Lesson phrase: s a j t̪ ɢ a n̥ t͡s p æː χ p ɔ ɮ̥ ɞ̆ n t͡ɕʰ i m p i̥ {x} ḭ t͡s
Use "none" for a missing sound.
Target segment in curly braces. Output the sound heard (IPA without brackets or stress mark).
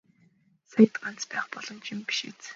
ʃ